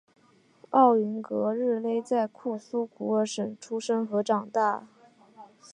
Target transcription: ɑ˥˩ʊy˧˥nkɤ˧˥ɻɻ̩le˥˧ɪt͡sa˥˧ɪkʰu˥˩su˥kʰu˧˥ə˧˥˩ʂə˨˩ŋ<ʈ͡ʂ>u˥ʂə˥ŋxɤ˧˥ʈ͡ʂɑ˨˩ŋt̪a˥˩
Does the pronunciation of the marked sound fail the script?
yes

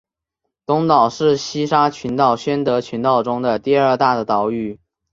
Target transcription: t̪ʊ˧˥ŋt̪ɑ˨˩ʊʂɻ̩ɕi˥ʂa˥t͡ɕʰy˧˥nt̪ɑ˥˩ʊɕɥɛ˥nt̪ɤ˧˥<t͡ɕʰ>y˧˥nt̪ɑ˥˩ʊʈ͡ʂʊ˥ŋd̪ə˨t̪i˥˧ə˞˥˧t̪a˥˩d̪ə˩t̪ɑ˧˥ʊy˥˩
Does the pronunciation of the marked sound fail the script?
no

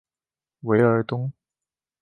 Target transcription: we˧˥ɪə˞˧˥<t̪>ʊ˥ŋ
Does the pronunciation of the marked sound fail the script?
no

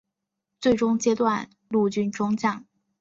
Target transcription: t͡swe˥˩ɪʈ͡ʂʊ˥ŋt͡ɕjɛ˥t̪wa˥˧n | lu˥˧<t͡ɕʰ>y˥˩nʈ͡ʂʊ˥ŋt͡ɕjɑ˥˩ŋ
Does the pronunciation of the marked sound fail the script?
yes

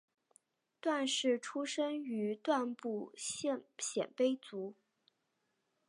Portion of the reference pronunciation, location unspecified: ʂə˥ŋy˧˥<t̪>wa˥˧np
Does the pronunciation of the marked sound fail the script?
no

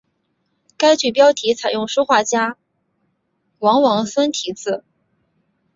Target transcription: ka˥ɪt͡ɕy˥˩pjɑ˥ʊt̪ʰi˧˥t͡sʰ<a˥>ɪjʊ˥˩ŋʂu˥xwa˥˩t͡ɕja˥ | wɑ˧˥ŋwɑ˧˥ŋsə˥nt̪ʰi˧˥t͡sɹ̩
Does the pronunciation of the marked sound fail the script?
yes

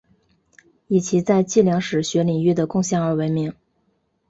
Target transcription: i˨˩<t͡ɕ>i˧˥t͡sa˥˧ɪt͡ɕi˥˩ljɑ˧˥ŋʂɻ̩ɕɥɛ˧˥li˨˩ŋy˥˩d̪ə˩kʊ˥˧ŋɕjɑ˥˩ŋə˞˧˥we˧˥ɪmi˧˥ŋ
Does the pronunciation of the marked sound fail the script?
yes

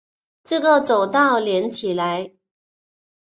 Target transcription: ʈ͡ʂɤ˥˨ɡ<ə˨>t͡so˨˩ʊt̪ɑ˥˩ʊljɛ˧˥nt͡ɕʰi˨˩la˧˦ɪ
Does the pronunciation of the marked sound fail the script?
no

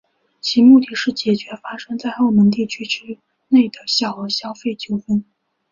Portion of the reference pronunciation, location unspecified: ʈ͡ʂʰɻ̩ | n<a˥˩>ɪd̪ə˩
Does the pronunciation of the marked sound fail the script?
yes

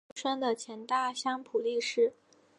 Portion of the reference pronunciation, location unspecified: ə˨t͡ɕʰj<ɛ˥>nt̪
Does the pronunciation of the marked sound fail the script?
yes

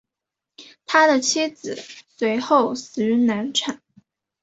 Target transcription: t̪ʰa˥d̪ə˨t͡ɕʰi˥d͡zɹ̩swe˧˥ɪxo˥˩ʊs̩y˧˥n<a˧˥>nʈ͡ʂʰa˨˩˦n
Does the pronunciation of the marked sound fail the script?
no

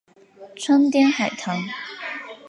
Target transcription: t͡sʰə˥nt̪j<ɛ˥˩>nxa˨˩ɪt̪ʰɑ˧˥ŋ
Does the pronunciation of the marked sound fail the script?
yes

